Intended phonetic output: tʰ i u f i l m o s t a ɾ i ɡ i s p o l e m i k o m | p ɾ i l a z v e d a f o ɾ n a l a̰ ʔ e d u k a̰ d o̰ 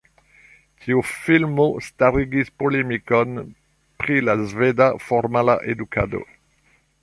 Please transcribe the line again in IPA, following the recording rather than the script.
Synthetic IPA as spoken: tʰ i u f i l m o s t a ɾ i ɡ i s p o l e m i k o n | p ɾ i l a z v e d a f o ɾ m a l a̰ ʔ e d u k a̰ d o̰